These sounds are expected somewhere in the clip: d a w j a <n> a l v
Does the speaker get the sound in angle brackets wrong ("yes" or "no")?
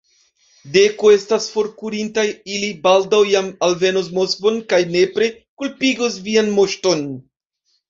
yes